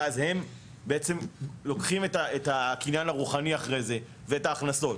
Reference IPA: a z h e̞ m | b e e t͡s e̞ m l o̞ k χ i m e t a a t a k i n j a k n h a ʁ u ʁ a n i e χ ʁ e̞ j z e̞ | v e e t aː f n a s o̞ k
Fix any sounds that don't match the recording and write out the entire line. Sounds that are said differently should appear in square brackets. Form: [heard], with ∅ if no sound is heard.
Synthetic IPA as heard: a z h e̞ m | b e e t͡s e̞ m l o̞ k χ i m e t a [e] t a k i n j a [∅] n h a ʁ u [χ] a n i [a] χ ʁ e̞ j z e̞ | v e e t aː [χ] n a s o̞ [t]